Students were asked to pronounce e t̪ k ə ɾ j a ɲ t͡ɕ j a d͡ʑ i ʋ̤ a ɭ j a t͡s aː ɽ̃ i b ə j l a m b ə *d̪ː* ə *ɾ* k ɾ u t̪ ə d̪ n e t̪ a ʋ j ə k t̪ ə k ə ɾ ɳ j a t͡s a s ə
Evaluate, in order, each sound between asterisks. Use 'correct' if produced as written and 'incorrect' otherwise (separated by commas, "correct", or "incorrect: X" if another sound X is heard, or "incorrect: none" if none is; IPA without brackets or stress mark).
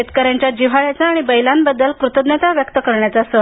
correct, incorrect: l